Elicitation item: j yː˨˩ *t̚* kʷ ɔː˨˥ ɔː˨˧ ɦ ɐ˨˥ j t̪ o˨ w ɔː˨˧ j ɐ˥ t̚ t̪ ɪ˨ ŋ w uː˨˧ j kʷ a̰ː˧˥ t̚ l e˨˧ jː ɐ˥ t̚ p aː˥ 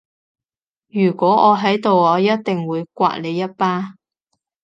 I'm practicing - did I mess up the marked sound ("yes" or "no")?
yes